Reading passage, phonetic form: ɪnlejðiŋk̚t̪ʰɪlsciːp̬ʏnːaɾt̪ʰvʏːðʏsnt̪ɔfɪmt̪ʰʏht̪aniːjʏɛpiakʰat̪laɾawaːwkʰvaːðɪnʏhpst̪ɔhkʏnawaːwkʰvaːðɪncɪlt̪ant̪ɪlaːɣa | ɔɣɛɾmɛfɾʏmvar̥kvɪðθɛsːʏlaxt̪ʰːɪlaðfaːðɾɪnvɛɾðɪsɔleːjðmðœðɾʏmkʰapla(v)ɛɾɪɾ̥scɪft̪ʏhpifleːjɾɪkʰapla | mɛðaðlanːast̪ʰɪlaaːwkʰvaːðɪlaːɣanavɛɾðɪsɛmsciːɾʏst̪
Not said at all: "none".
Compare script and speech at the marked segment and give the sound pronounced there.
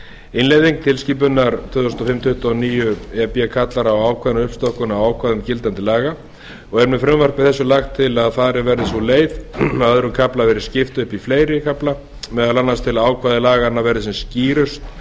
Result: v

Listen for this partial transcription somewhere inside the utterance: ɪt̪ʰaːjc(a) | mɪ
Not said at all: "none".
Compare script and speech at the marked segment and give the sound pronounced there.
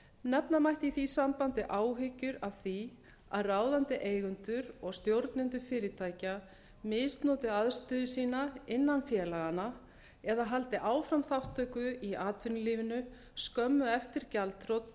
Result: a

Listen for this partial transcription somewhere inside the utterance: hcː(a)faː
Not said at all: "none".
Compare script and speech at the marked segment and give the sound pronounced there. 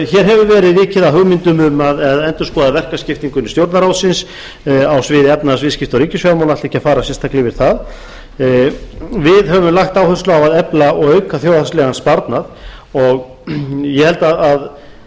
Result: a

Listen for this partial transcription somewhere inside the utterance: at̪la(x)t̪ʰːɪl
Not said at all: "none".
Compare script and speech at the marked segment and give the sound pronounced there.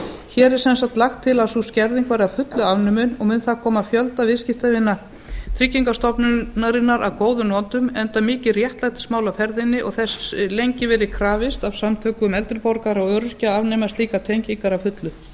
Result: x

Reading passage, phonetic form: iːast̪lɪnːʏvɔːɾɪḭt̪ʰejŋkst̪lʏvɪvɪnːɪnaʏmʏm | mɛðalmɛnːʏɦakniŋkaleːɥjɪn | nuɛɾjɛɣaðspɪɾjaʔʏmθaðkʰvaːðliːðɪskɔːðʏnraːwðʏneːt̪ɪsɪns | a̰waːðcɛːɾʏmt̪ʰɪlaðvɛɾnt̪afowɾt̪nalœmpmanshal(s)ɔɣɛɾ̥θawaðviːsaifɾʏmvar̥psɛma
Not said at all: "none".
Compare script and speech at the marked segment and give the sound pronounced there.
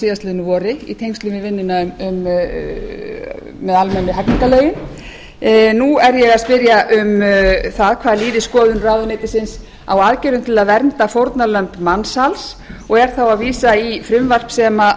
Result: s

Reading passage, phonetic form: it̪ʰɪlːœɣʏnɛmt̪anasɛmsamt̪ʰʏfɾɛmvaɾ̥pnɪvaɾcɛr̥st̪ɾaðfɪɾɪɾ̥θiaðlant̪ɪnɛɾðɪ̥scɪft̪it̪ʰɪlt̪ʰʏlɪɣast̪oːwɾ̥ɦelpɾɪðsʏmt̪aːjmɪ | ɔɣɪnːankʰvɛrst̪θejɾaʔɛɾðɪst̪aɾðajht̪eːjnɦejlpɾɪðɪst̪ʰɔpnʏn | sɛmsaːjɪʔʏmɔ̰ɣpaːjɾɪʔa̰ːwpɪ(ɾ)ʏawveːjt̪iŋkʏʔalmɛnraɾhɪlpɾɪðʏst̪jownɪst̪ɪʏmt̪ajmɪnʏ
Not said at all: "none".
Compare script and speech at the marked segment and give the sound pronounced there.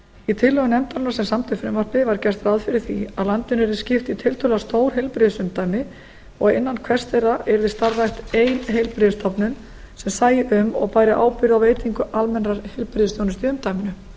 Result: ɾ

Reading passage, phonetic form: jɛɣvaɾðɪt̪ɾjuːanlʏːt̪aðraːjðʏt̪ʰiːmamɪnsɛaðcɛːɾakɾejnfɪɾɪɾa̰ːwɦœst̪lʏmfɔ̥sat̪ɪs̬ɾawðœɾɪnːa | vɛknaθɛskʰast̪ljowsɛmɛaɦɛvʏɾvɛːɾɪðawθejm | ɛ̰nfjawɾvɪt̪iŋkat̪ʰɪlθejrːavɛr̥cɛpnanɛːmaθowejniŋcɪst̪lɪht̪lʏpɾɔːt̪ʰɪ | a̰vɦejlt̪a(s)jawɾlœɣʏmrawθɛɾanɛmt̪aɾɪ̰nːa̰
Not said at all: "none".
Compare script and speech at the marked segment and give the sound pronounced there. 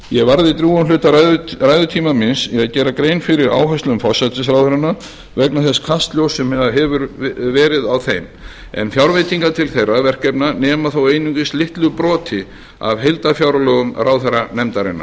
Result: f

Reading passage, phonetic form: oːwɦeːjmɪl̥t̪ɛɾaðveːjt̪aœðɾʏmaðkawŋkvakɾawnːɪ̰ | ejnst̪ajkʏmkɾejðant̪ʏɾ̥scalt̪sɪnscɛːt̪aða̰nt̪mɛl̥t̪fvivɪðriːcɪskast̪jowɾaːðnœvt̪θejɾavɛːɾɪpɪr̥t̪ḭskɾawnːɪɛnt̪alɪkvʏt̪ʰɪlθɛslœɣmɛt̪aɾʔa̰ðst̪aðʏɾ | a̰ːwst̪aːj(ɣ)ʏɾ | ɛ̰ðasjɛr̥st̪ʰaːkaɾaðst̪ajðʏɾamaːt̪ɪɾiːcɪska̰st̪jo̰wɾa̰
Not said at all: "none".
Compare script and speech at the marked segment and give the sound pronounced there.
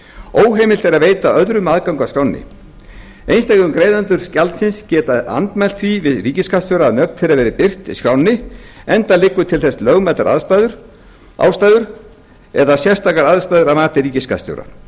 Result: ð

